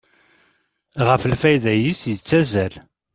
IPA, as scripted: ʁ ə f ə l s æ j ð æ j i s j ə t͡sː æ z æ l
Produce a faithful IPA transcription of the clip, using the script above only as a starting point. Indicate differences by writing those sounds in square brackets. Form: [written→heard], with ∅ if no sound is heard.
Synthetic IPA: ʁ ə f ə l [s→f] æ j ð æ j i s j ə t͡sː æ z æ l